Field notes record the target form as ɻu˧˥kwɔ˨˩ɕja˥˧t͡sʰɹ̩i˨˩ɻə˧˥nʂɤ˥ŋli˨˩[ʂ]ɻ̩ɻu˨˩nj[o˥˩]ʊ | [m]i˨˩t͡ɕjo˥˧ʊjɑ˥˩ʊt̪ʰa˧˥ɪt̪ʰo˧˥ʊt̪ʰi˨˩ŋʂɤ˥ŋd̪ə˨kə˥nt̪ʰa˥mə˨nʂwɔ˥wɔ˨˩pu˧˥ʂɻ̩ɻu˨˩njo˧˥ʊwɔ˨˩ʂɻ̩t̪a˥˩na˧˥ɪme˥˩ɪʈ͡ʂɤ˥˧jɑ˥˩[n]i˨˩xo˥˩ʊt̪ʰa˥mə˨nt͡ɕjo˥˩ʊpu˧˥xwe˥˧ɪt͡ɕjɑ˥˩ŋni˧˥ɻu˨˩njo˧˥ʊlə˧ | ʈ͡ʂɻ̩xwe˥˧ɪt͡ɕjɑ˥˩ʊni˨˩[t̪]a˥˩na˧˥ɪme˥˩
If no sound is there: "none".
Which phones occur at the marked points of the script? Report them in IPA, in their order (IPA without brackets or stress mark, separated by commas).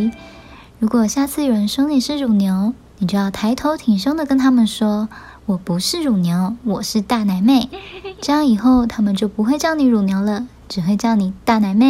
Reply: ʂ, o˧˥, n, ŋ, t̪